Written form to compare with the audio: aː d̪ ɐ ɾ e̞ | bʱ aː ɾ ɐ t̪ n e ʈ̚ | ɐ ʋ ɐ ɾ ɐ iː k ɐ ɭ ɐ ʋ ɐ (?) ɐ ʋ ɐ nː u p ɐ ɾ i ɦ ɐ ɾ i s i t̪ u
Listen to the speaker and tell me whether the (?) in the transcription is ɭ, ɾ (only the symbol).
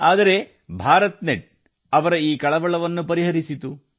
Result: ɭ